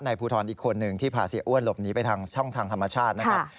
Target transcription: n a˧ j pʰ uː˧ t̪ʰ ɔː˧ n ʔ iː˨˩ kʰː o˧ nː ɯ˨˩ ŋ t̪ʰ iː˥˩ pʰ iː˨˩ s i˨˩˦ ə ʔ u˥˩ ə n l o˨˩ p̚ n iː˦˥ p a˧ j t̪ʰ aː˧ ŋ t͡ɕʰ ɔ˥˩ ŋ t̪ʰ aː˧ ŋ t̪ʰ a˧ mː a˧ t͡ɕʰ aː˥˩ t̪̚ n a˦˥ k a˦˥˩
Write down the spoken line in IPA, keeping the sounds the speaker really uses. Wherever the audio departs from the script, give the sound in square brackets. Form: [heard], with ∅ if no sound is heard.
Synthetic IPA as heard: n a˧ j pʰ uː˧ t̪ʰ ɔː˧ n ʔ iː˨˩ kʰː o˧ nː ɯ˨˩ ŋ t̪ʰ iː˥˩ pʰ [aː˨˩] s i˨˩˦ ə ʔ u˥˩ ə n l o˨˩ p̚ n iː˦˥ p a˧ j t̪ʰ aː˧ ŋ t͡ɕʰ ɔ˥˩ ŋ t̪ʰ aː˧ ŋ t̪ʰ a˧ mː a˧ t͡ɕʰ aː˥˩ t̪̚ n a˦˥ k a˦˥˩